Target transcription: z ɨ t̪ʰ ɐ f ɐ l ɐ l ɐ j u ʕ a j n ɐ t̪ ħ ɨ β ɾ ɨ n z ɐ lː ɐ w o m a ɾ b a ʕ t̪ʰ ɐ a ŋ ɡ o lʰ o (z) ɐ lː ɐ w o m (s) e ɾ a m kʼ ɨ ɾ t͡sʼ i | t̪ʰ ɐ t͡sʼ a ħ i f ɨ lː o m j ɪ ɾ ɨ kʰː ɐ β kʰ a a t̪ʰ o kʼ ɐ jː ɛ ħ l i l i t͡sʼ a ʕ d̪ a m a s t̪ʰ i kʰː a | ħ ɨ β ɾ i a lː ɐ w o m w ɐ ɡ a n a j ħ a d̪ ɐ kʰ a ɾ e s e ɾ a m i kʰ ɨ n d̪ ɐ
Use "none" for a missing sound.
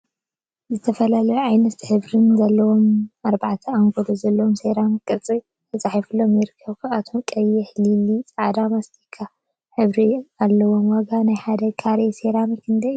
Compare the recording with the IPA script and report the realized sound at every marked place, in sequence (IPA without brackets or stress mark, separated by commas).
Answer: z, s